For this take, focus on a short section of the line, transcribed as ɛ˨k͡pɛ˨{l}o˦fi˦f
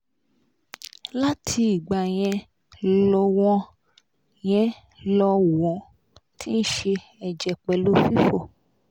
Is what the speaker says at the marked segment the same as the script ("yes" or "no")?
yes